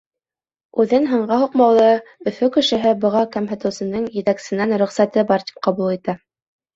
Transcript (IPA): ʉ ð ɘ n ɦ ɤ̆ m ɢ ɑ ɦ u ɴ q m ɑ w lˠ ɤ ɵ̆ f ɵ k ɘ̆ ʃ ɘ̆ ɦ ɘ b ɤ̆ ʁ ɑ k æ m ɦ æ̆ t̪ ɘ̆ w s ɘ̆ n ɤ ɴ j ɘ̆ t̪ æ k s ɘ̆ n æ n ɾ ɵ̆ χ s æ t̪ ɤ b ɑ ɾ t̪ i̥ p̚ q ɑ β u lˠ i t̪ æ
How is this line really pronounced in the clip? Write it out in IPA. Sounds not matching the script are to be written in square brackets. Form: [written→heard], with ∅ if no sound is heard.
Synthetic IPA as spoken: ʉ ð ɘ n ɦ ɤ̆ [m→ɴ] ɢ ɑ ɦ u [ɴ→∅] q m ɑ w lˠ ɤ ɵ̆ f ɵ k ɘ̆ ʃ ɘ̆ ɦ ɘ b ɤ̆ ʁ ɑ k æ m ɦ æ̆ t̪ ɘ̆ w s ɘ̆ n ɤ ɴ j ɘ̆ t̪ æ k s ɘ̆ n æ n ɾ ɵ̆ χ s æ t̪ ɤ b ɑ ɾ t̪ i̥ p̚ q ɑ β u lˠ i t̪ æ